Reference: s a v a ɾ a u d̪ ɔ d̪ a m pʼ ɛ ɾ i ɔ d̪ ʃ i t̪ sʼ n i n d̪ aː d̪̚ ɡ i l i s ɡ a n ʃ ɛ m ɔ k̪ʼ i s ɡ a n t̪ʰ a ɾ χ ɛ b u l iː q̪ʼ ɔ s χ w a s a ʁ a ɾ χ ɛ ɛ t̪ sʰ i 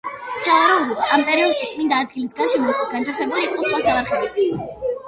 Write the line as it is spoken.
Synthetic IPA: s a v a ɾ a u d̪ ɔ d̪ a m pʼ ɛ ɾ i ɔ d̪ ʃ i t̪ sʼ m i n d̪ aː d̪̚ ɡ i l i s ɡ a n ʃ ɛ m ɔ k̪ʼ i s ɡ a n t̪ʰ a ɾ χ ɛ b u l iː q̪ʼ ɔ s χ w a s a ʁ a ɾ χ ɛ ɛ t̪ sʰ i